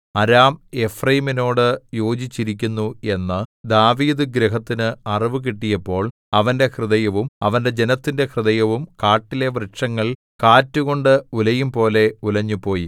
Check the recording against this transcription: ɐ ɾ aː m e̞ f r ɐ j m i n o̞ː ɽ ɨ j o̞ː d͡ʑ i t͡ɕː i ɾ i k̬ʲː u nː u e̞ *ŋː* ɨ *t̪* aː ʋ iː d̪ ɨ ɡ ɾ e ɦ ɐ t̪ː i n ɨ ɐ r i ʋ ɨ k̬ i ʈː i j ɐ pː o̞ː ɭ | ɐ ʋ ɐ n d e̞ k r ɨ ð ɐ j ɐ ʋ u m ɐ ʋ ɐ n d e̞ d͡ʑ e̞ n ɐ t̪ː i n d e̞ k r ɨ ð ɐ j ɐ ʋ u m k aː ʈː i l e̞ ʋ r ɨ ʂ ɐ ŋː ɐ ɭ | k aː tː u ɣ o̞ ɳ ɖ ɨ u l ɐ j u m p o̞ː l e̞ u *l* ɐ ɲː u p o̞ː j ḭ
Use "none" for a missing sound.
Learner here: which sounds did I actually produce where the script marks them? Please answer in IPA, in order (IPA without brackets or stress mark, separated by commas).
nː, d̪, l